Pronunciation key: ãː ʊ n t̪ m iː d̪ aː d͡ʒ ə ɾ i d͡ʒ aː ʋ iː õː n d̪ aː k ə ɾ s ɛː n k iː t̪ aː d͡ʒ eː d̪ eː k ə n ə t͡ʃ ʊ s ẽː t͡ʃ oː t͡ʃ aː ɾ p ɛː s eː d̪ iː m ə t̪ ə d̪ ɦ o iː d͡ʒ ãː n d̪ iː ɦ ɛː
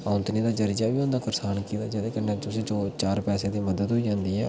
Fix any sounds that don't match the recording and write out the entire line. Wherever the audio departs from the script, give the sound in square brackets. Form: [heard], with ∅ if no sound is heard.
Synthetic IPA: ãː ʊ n t̪ [n] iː d̪ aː d͡ʒ ə ɾ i d͡ʒ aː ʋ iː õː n d̪ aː k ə ɾ s [aː] n k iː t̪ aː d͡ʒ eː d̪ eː k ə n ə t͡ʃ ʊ s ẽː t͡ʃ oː t͡ʃ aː ɾ p ɛː s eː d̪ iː m ə [d̪] ə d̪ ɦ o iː d͡ʒ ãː n d̪ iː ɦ ɛː